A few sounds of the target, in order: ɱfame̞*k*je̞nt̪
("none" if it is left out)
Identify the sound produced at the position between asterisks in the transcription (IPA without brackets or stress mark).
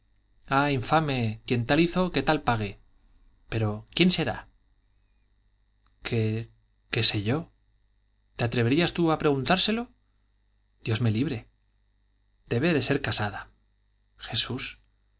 k